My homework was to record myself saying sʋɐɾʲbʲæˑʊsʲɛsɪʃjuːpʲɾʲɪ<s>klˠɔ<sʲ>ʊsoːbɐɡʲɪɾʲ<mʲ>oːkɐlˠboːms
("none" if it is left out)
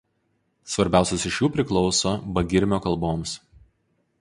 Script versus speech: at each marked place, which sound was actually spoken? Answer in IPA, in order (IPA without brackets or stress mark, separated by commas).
none, none, mʲ